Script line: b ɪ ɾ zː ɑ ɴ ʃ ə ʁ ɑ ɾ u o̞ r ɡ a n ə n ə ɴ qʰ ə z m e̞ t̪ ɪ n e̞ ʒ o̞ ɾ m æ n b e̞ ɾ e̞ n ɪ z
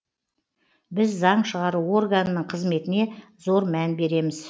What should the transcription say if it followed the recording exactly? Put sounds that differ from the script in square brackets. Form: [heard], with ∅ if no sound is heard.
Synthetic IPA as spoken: b ɪ [∅] zː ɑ ɴ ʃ ə ʁ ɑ ɾ u o̞ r ɡ a n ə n ə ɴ qʰ ə z m e̞ t̪ ɪ n e̞ [z] o̞ ɾ m æ n b e̞ ɾ e̞ [m] ɪ z